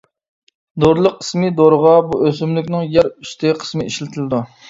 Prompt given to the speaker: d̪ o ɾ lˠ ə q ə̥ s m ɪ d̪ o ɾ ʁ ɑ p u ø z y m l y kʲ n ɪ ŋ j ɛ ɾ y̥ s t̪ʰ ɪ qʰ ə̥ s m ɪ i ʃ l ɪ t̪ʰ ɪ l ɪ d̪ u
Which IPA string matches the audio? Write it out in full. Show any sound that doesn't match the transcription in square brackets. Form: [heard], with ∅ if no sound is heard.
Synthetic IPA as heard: d̪ o ɾ lˠ ə q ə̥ s m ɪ d̪ o ɾ ʁ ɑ [b] u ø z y m l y kʲ n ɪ ŋ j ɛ ɾ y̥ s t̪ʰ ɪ qʰ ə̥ s m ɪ i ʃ l ɪ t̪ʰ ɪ l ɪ d̪ u